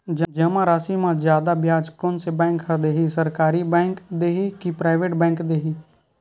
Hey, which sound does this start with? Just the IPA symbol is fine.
d͡ʒ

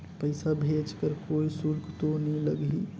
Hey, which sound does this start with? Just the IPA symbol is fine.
p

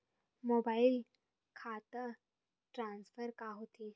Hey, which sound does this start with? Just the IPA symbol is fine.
m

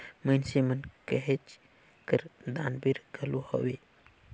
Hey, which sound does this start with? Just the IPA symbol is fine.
m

